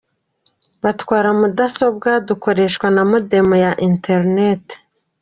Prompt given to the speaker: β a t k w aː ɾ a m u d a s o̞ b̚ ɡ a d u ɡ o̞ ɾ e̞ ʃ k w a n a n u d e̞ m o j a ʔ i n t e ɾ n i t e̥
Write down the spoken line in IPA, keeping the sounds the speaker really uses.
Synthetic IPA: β a t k w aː ɾ a m u d a s o̞ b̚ ɡ a d u k o̞ ɾ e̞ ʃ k w a n a m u d e̞ m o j a ʔ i n t e ɾ n e t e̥